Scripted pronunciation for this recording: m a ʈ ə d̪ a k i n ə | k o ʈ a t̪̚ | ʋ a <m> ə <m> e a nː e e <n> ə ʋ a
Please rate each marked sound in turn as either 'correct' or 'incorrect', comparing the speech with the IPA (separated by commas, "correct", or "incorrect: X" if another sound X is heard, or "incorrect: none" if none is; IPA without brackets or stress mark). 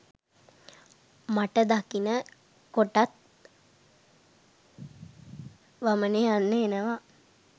correct, incorrect: n, correct